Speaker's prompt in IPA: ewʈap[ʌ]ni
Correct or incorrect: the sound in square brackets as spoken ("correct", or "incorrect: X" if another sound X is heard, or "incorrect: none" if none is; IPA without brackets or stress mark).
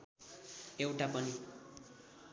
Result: correct